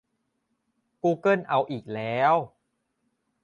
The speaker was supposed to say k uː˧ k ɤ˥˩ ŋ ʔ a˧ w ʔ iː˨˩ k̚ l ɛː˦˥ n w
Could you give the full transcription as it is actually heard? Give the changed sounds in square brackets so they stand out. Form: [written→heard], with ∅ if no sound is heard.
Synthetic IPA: k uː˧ k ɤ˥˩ [ŋ→n] ʔ a˧ w ʔ iː˨˩ k̚ l ɛː˦˥ [n→∅] w